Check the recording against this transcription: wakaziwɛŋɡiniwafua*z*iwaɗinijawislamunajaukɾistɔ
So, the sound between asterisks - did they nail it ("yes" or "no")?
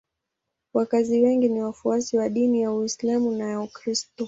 no